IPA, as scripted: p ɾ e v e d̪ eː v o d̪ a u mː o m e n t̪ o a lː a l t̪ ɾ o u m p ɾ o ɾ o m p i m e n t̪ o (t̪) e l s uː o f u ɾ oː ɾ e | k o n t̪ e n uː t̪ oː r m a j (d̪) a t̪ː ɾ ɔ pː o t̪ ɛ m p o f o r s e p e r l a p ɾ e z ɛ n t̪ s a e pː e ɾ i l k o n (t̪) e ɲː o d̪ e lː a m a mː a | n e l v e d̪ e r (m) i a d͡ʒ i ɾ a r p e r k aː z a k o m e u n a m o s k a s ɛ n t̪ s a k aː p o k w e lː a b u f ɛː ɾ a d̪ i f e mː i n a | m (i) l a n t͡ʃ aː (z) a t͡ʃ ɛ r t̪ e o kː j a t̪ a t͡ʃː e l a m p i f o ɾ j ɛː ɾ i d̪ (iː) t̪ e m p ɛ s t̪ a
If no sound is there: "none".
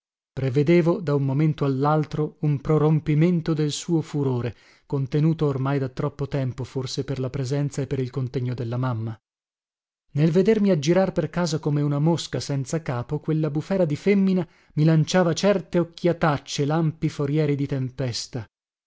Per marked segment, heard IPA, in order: d̪, d̪, t̪, m, i, v, i

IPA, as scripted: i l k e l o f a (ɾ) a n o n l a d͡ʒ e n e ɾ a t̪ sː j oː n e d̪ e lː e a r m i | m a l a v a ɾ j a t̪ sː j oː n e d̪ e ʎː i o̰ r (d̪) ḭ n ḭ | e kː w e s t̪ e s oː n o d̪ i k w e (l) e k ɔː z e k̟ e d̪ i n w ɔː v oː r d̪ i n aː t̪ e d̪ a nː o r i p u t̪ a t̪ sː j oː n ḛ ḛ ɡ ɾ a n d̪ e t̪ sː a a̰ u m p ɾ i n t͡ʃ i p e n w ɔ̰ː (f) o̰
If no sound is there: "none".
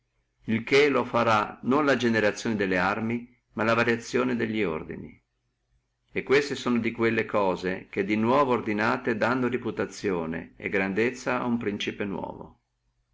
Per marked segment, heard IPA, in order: ɾ, d̪, lː, v

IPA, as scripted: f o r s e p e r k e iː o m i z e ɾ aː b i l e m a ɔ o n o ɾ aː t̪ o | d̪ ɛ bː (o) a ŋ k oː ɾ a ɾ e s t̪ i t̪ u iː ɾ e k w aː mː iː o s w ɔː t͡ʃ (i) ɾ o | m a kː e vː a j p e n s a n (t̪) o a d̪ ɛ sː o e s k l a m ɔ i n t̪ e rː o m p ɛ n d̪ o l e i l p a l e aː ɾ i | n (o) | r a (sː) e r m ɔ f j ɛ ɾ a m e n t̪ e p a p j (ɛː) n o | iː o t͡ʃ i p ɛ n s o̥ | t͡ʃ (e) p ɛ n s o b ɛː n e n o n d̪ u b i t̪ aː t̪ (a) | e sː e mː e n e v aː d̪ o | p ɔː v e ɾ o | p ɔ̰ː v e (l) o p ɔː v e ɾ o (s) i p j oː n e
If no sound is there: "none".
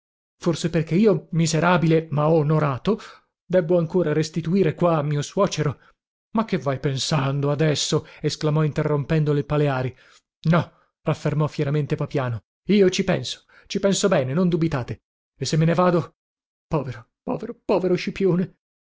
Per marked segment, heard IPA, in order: o, e, d̪, ɔ, fː, aː, i, e, ɾ, ʃ

